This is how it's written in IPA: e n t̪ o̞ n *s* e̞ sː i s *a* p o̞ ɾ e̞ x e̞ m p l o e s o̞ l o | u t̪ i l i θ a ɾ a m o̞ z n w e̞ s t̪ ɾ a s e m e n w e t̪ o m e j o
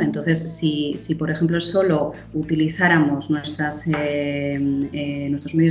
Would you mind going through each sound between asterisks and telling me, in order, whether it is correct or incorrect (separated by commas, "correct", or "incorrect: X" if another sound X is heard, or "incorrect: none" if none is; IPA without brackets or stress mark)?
incorrect: θ, incorrect: i